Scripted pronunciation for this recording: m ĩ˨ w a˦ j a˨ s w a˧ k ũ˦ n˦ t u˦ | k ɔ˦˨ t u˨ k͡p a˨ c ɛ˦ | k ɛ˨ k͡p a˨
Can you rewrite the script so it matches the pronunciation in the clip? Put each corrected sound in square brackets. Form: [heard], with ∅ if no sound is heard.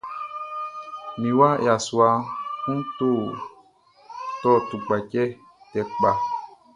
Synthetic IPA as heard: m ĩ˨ w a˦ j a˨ s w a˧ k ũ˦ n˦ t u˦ | [t] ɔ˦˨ t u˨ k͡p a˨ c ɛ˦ | [t] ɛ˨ k͡p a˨